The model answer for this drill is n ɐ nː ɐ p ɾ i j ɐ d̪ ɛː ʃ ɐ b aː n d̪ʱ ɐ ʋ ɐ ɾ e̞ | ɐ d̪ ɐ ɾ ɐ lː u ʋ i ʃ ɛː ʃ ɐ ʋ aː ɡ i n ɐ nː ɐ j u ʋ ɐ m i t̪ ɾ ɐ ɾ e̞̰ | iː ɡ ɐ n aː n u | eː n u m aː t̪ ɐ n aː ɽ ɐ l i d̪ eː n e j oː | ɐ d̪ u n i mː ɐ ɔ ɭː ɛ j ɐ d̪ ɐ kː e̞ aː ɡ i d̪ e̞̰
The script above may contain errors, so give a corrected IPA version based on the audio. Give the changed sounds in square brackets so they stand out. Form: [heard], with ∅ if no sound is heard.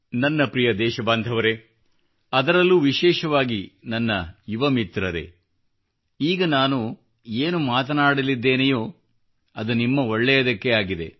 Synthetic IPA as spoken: n ɐ nː ɐ p ɾ i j ɐ d̪ ɛː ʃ ɐ b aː n d̪ʱ ɐ ʋ ɐ ɾ e̞ | ɐ d̪ ɐ ɾ ɐ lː u ʋ i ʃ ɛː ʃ ɐ ʋ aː ɡ i n ɐ nː ɐ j u ʋ ɐ m i t̪ ɾ ɐ ɾ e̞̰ | iː ɡ ɐ n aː n u | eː n u m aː t̪ ɐ n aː ɽ ɐ l i [d̪ː] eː n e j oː | ɐ d̪ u n i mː ɐ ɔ ɭː ɛ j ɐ d̪ ɐ kː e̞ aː ɡ i d̪ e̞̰